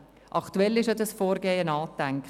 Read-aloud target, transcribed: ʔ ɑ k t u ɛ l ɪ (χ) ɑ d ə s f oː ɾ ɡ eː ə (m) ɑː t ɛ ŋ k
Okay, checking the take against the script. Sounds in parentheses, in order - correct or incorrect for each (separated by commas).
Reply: incorrect, incorrect